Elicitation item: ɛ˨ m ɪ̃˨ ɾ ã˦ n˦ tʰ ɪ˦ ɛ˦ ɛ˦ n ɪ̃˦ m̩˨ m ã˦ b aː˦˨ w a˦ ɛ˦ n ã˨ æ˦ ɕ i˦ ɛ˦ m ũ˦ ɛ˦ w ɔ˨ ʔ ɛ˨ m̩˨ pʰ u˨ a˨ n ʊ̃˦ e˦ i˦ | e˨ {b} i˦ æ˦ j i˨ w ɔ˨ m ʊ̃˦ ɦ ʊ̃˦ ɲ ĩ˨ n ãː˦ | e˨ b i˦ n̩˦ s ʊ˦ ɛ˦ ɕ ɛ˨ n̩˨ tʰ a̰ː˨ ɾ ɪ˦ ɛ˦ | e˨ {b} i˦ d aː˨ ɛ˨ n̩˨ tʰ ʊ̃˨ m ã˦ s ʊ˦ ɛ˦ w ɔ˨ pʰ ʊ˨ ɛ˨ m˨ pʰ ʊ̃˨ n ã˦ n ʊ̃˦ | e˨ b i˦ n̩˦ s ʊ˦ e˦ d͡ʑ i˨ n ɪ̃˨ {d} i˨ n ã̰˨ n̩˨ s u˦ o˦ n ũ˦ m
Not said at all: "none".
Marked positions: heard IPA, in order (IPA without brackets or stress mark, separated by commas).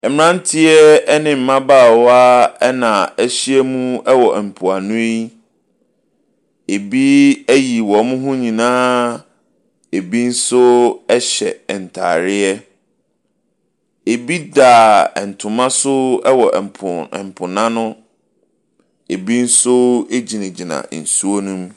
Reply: b, b, d͡ʑ